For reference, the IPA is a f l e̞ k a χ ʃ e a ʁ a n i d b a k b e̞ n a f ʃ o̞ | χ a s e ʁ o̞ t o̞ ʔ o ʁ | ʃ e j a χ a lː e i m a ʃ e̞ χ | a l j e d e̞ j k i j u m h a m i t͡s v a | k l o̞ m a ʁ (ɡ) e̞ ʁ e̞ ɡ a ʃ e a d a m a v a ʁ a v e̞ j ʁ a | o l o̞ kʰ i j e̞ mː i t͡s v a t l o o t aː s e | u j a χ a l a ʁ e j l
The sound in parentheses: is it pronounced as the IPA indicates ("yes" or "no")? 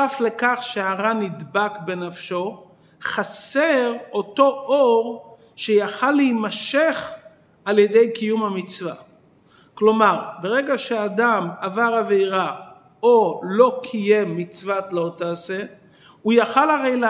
no